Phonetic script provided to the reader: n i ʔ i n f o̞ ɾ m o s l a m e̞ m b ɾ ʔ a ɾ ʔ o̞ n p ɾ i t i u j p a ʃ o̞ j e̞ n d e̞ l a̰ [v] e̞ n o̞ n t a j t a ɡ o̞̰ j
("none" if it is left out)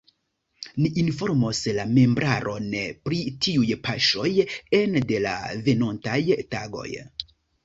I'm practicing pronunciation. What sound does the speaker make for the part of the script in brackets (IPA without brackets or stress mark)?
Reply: v